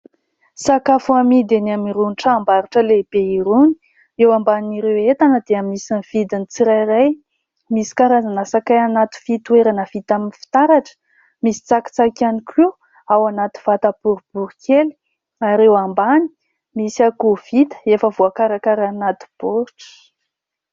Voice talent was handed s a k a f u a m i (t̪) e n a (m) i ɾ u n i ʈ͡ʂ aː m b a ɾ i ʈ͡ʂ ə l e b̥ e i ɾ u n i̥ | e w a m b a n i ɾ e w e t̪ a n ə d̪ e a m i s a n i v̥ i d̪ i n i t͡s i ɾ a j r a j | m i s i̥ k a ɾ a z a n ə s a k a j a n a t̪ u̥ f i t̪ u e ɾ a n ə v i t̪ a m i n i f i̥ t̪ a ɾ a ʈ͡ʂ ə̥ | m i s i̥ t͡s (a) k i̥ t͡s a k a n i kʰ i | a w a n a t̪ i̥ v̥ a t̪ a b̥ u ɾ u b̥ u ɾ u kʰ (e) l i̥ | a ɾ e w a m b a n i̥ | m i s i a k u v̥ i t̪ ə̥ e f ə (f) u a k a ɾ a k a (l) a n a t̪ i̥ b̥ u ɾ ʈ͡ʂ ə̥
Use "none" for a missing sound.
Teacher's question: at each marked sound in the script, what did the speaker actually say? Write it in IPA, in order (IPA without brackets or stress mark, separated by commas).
d̪, m, a, e, v, ɾ